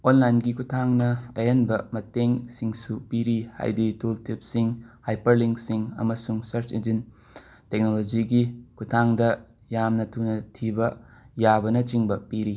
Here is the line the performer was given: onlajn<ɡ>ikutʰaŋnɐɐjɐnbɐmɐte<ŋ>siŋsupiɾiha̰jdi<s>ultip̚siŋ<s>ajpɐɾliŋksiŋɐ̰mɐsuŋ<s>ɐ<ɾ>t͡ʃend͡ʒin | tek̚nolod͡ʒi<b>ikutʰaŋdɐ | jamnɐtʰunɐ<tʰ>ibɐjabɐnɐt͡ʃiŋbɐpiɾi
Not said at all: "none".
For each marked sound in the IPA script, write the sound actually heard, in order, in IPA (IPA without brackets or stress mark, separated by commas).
ɡ, ŋ, t, h, s, ɾ, ɡ, tʰ